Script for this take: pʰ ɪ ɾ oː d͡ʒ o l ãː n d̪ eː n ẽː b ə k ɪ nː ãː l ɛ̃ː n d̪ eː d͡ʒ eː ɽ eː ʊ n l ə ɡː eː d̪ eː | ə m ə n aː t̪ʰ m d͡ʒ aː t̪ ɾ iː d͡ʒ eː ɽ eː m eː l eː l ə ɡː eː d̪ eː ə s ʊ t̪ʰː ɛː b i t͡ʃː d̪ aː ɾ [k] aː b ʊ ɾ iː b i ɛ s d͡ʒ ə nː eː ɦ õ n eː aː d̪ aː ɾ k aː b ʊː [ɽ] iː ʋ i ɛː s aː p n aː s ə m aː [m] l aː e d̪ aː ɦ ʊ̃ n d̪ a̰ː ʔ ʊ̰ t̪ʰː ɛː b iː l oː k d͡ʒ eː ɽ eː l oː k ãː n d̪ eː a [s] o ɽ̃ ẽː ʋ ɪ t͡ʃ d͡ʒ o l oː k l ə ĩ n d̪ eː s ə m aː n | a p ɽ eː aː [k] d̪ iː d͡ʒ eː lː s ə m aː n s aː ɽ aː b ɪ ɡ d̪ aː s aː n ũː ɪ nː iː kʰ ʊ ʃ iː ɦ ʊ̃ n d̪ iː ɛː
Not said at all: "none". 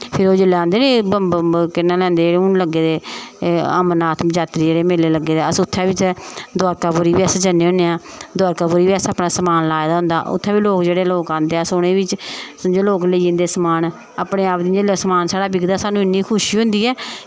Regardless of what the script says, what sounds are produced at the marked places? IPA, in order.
k, ɾ, n, s, p

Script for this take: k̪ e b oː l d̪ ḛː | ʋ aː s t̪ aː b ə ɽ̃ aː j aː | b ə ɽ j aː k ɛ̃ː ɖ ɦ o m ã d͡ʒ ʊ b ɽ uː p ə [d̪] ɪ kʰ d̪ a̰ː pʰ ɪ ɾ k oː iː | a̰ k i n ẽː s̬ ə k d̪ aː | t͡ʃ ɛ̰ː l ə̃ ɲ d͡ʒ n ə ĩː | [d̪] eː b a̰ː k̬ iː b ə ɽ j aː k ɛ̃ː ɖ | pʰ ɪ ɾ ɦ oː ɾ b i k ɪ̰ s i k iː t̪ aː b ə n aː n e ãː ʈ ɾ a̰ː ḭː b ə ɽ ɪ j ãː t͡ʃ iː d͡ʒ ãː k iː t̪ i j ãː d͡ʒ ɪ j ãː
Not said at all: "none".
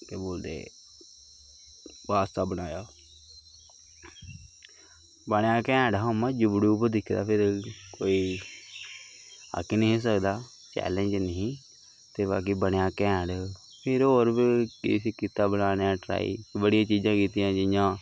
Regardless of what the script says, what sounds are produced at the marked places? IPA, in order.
d̪, t̪

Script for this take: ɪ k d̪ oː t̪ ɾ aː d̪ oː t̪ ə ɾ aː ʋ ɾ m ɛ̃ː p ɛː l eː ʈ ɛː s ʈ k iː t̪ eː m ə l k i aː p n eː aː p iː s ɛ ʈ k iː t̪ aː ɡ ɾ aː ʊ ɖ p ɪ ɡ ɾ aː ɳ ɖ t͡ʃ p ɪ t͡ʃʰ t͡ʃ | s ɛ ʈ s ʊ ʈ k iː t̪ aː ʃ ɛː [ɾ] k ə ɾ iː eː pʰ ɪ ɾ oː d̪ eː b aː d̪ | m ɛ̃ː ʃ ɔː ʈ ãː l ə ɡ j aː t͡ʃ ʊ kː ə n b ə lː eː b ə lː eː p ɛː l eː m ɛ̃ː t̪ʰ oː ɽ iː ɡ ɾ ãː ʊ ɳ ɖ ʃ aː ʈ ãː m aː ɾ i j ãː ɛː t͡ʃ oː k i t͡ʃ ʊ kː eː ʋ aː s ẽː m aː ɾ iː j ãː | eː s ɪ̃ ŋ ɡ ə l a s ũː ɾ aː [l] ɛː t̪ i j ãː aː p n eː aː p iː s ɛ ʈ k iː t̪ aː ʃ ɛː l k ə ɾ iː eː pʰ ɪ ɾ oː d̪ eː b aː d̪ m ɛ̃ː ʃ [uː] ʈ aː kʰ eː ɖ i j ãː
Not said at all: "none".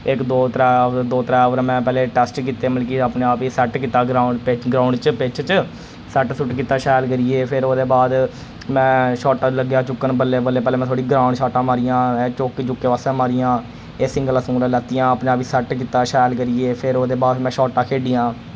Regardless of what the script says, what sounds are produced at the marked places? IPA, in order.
l, l, ɔː

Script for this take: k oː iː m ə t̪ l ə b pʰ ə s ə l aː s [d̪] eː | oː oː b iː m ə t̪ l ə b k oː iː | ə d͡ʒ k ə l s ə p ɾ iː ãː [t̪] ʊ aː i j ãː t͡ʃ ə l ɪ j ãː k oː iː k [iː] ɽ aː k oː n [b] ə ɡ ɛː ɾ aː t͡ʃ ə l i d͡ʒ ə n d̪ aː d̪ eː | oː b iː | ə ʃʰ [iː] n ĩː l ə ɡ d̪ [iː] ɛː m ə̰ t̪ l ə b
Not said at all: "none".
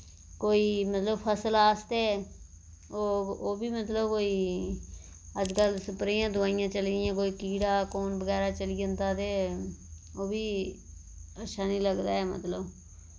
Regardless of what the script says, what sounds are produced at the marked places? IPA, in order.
t̪, d̪, iː, b, aː, aː

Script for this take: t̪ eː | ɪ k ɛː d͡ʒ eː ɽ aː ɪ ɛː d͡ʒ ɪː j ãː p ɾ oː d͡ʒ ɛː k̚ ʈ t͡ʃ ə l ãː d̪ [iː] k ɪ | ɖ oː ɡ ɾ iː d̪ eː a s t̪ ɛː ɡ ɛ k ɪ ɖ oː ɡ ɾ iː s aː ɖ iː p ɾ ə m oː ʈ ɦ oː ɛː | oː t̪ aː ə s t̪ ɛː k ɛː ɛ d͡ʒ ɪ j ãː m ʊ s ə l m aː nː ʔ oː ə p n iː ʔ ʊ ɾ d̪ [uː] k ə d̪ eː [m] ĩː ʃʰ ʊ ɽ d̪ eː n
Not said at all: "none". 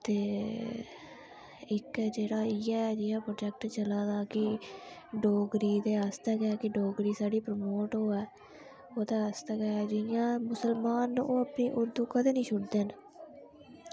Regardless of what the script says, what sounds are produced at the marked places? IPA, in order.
aː, uː, n

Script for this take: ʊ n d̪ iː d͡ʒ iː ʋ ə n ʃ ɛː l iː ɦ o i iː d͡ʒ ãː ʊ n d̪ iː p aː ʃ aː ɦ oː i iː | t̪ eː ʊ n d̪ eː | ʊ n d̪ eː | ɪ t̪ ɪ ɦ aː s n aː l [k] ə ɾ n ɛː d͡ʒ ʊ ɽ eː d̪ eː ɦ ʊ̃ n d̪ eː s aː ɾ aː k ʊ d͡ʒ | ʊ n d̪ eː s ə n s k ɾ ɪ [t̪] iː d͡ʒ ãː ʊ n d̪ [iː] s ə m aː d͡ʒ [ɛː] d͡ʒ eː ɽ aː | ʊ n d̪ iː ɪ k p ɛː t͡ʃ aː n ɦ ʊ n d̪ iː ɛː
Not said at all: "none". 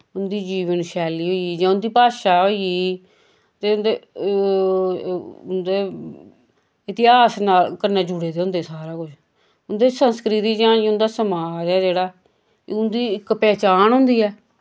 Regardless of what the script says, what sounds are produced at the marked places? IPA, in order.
k, t̪, aː, ɛː

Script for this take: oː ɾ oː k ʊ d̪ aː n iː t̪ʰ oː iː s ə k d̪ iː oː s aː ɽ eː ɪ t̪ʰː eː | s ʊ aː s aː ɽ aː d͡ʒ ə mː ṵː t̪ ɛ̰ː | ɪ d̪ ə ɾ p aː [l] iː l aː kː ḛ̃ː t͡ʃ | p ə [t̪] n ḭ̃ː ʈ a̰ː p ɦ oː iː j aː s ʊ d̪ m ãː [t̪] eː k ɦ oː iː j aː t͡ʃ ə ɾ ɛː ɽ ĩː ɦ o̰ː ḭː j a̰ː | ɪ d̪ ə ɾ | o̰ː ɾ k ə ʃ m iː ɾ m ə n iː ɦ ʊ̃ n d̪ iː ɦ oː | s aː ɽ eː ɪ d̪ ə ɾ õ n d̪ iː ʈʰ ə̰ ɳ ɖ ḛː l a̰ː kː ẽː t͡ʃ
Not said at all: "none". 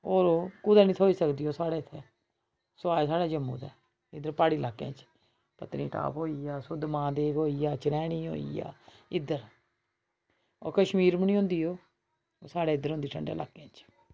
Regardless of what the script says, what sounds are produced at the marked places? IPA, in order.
ɽ, t̪, d̪

